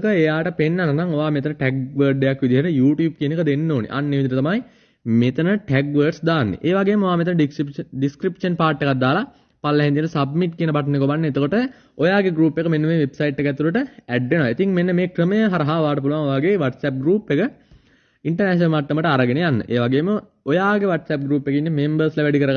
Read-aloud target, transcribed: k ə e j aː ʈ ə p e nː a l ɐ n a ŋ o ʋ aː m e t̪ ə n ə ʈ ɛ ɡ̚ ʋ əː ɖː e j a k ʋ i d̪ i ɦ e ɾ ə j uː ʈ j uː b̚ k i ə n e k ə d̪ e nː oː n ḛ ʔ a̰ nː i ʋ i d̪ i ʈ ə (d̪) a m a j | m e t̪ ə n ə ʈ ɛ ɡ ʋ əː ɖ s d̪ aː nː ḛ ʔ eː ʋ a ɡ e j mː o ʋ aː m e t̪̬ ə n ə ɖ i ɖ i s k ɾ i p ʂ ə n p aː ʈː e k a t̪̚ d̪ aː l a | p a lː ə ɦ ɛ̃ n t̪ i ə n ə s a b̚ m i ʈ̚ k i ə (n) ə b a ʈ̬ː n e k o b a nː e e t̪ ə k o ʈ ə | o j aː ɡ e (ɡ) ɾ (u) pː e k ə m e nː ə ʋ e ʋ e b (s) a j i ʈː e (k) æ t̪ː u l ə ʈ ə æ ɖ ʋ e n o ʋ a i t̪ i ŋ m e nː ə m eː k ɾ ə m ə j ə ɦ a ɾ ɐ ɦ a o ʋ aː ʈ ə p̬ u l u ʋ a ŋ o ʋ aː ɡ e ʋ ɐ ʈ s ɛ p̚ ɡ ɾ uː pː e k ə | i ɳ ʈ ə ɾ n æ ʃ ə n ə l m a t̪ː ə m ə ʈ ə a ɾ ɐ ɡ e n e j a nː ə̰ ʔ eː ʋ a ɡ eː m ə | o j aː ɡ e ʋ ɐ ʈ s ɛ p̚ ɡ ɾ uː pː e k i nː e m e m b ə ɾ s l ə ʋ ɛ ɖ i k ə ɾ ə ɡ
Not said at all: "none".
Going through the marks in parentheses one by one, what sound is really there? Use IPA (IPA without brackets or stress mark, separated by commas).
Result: t̪, n, ɡ, uː, s, k